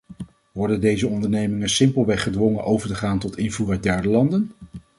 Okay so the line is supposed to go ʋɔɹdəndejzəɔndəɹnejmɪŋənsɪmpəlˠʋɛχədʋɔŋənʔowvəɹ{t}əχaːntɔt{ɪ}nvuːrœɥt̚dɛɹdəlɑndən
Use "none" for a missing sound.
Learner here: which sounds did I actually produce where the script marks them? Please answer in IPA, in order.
t, ɪ

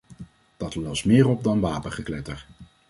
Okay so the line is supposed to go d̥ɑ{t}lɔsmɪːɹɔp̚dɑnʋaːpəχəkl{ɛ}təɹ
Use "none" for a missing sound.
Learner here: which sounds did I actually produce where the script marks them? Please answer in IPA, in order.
t, ɛ

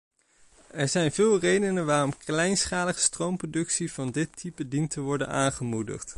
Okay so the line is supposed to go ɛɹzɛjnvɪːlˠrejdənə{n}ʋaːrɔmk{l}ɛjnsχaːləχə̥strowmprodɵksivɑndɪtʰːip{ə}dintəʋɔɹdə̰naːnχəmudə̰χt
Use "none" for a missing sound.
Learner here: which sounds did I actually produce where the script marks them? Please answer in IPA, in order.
n, l, ə

